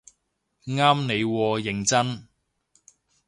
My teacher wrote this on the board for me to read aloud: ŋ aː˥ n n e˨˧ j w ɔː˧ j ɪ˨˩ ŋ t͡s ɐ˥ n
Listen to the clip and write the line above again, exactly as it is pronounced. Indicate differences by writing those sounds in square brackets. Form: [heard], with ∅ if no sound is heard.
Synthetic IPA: ŋ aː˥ [m] n e˨˧ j w ɔː˧ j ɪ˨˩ ŋ t͡s ɐ˥ n